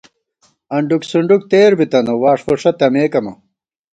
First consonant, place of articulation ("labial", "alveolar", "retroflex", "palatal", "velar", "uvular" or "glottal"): retroflex